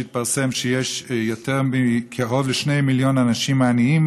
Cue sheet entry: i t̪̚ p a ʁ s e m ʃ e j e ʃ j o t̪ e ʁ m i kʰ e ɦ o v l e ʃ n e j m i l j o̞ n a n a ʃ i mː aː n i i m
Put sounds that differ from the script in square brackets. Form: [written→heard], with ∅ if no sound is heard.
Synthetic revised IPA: i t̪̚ p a ʁ s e m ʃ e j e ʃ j o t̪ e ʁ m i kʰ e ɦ o v l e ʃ n e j m i l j o̞ n a n a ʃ i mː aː n i i m